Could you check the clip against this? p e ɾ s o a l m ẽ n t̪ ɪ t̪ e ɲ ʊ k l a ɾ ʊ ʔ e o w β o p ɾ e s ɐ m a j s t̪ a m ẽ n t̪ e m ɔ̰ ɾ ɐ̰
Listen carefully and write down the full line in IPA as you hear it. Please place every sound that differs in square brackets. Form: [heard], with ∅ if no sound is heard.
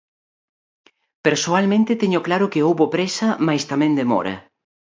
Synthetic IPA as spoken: p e ɾ s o a l m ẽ n t̪ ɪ t̪ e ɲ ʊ k l a ɾ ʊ [k] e o w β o p ɾ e s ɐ m a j s t̪ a m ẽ n [d̪] e m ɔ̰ ɾ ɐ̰